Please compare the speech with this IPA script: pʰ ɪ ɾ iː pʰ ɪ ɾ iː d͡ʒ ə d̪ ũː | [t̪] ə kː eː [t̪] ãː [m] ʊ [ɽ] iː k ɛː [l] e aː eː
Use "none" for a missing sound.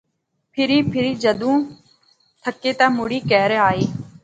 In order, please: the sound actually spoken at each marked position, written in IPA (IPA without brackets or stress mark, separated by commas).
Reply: t̪ʰ, t̪, m, ɽ, ɾ